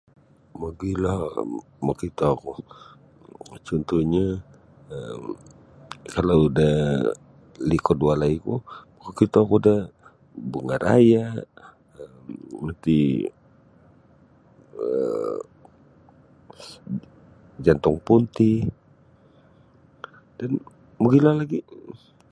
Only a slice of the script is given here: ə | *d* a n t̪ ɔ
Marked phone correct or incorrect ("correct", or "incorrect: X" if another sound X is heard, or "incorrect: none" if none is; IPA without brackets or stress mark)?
incorrect: d͡ʒ